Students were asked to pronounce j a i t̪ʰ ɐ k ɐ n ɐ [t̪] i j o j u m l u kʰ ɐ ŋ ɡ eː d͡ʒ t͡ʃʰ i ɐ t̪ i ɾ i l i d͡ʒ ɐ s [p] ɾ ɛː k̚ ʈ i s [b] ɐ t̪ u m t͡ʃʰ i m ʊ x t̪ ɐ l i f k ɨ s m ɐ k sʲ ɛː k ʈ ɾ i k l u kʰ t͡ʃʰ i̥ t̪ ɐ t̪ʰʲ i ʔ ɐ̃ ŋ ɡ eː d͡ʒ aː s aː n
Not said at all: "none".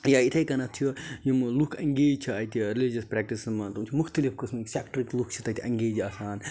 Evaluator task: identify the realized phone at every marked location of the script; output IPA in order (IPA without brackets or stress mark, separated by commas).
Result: t̪ʰ, p, m